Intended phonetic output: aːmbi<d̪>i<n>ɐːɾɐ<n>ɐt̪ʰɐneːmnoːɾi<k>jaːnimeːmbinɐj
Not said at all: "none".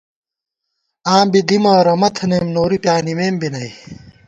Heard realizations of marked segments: d̪, m, m, p

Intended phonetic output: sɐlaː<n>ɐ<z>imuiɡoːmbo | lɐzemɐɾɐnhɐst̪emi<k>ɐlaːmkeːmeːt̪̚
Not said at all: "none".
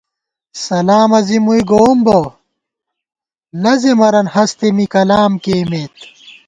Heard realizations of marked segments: m, z, k

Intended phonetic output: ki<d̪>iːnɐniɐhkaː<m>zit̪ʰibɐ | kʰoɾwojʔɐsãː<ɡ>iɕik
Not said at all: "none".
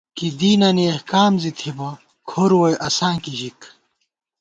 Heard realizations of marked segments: d̪, m, k

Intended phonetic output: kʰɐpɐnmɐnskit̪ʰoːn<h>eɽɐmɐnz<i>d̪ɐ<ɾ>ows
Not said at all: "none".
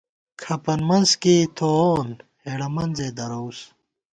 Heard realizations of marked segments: h, e, ɾ

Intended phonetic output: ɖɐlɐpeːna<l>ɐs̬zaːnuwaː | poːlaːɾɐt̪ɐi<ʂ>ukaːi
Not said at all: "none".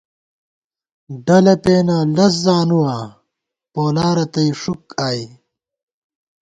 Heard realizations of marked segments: l, ʂ

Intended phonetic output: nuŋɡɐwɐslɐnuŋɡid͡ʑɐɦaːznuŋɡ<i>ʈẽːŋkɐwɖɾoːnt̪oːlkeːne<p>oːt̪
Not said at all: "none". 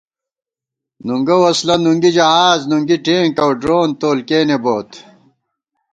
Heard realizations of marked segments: i, b

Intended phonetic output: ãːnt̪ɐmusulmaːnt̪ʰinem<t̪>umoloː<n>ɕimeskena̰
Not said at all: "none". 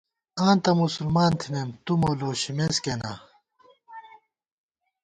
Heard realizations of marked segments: t̪, none

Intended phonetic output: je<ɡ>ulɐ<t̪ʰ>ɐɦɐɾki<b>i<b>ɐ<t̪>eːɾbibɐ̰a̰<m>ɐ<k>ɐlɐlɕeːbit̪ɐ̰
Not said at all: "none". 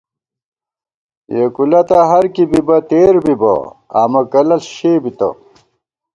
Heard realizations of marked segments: k, t̪, b, b, t̪, m, k

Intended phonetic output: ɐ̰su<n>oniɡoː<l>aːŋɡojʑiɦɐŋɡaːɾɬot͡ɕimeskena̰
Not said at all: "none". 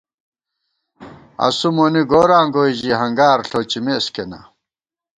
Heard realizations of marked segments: m, ɾ

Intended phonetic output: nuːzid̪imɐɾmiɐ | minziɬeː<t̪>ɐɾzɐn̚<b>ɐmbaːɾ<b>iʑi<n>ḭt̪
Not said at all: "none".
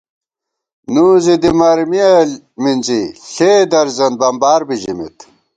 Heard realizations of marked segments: d̪, b, b, m

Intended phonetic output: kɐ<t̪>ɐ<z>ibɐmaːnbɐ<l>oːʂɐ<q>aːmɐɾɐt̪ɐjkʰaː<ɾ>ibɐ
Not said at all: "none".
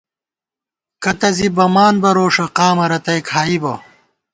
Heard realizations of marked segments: t̪, z, ɾ, q, none

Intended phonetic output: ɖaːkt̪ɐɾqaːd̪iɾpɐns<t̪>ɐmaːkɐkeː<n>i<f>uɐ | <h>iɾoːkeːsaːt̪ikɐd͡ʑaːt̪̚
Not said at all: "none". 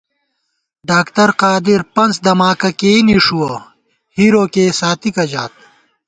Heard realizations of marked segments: d̪, n, ʂ, h

